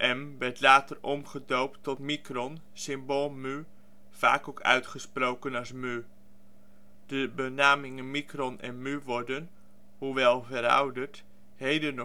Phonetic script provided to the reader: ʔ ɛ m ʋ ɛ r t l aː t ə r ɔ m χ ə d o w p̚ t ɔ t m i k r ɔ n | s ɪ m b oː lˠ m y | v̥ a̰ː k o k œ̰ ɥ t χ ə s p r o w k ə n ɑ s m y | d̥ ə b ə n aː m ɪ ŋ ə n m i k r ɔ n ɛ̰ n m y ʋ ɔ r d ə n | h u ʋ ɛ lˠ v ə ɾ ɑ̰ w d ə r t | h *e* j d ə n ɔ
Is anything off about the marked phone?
no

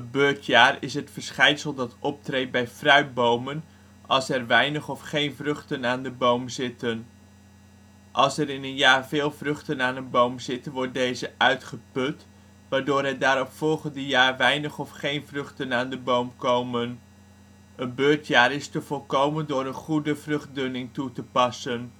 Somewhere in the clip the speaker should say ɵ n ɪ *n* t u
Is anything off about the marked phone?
yes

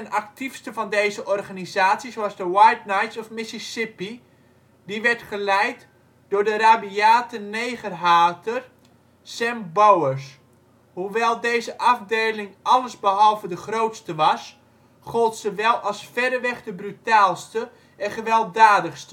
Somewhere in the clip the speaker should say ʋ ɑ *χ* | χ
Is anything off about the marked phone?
yes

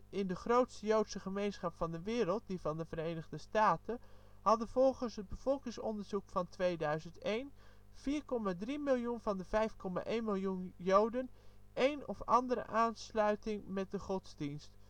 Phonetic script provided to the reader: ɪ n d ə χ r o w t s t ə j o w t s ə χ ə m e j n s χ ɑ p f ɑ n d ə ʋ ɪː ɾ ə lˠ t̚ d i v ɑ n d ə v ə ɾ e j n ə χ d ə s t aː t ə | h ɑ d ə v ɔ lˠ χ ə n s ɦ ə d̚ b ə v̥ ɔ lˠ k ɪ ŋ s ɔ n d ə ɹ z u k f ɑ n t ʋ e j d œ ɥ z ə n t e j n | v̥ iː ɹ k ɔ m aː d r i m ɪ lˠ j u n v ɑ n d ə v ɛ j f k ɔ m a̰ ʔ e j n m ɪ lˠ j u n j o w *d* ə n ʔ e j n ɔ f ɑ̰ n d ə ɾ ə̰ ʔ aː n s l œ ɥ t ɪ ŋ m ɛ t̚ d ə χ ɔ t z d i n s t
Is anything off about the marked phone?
no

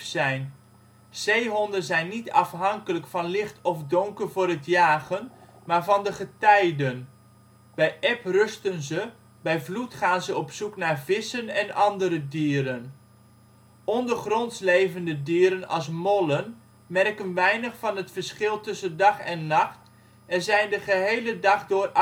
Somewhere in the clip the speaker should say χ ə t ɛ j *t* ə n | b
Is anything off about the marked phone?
yes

